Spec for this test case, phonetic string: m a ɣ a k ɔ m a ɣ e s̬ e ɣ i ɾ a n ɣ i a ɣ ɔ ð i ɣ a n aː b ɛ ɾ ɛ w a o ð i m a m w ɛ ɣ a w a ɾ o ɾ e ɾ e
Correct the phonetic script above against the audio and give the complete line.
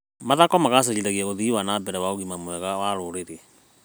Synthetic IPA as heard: m a ð a k ɔ m a ɣ a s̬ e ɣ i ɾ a ɣ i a ɣ o ð i w a n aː b ɛ ɾ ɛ w a o ɣ i m a m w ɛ ɣ a w a ɾ o ɾ e ɾ e